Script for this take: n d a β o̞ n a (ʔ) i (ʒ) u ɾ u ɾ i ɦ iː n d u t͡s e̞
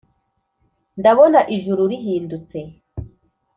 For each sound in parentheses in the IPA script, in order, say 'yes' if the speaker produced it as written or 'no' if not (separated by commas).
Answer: yes, yes